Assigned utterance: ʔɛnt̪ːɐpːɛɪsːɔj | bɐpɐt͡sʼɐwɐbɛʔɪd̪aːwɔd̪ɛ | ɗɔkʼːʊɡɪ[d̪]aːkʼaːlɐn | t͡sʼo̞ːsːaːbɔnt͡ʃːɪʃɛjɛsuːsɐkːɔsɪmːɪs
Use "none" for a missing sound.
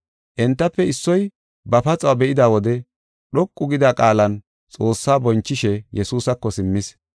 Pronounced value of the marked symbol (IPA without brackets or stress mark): d̪